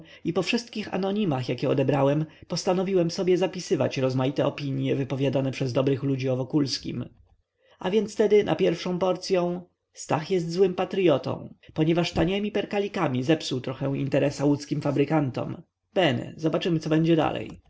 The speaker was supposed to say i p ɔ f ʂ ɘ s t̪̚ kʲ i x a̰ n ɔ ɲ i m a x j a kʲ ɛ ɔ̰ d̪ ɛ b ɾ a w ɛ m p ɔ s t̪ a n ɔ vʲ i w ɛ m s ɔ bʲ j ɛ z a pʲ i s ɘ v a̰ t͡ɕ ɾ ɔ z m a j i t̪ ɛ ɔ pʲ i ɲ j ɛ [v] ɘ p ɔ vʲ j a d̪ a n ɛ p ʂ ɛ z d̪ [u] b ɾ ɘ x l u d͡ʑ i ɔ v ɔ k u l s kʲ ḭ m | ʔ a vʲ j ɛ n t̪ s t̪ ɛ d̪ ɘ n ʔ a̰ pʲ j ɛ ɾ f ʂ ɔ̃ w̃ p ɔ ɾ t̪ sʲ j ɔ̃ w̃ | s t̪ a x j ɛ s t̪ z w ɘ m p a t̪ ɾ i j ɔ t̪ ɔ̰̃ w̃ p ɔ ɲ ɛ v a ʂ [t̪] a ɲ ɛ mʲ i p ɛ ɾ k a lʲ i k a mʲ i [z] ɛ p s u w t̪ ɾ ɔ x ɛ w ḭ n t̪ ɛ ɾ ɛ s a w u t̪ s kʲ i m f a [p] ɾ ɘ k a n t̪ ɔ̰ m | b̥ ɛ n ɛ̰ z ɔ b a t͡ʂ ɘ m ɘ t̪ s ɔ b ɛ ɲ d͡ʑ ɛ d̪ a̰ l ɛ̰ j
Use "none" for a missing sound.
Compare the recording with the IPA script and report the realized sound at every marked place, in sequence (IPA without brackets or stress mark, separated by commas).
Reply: v, ɔ, t̪, z, b